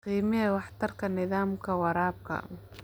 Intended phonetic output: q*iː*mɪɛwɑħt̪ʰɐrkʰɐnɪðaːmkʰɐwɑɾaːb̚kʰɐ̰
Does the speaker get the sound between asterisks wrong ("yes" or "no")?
no